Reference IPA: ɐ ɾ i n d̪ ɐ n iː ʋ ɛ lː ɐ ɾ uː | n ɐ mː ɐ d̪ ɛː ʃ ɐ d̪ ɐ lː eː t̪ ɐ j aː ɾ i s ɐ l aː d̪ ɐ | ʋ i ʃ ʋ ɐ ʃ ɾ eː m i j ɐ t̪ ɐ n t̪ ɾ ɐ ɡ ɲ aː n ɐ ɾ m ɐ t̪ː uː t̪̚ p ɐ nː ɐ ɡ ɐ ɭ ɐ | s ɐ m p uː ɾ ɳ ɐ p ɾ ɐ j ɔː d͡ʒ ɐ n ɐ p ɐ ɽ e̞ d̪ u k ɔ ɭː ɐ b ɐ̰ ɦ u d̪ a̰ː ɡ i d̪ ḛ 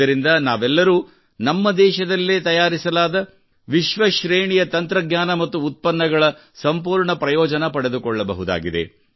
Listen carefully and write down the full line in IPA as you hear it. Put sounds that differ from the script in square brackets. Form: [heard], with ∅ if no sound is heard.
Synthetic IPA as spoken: ɐ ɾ i n d̪ ɐ n [aː] ʋ ɛ lː ɐ ɾ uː | n ɐ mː ɐ d̪ ɛː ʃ ɐ d̪ ɐ lː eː t̪ ɐ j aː ɾ i s ɐ l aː d̪ ɐ | ʋ i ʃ ʋ ɐ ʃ ɾ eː [ɳ] i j ɐ t̪ ɐ n t̪ ɾ ɐ ɡ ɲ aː n ɐ [∅] m ɐ t̪ː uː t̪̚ p ɐ nː ɐ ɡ ɐ ɭ ɐ | s ɐ m p uː ɾ ɳ ɐ p ɾ ɐ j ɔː d͡ʒ ɐ n ɐ p ɐ ɽ e̞ d̪ u k ɔ ɭː ɐ b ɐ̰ ɦ u d̪ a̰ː ɡ i d̪ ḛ

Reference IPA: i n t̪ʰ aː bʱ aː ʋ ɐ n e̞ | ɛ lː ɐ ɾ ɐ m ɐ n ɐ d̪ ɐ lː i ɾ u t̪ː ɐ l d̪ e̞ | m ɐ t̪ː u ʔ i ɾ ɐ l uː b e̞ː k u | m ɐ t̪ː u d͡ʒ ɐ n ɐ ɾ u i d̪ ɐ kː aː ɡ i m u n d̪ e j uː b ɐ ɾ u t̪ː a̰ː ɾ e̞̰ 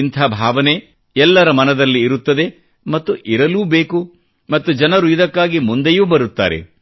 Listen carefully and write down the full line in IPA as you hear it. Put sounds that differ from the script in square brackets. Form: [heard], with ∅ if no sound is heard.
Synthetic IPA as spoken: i n t̪ʰ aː bʱ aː ʋ ɐ n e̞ | ɛ lː ɐ ɾ ɐ m ɐ n ɐ d̪ ɐ lː [iː] ɾ u t̪ː ɐ [∅] d̪ e̞ | m ɐ t̪ː u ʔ i ɾ ɐ l uː b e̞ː k u | m ɐ t̪ː u d͡ʒ ɐ n ɐ ɾ u i d̪ ɐ kː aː ɡ i m u n d̪ e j uː b ɐ ɾ u t̪ː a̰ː ɾ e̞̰

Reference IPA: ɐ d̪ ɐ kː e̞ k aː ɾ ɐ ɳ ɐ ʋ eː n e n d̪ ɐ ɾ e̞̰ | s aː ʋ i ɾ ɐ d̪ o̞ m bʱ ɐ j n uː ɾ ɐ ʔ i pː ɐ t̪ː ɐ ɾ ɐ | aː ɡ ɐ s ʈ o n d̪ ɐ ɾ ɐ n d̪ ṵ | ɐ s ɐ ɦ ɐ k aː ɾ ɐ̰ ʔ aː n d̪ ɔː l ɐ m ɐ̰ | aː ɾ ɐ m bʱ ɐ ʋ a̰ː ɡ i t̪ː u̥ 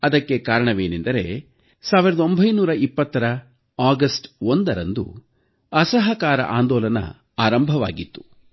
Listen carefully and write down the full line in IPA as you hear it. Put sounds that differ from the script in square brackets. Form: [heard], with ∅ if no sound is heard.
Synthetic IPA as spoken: ɐ d̪ ɐ kː e̞ k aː ɾ ɐ ɳ ɐ ʋ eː n e n d̪ ɐ ɾ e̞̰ | s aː ʋ i ɾ ɐ d̪ o̞ m bʱ ɐ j n uː ɾ ɐ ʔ i pː ɐ t̪ː ɐ ɾ ɐ | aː ɡ ɐ s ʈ o n d̪ ɐ ɾ ɐ n d̪ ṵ | ɐ s ɐ ɦ ɐ k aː ɾ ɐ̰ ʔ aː n d̪ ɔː l ɐ [n] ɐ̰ | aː ɾ ɐ m bʱ ɐ ʋ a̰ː ɡ i t̪ː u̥

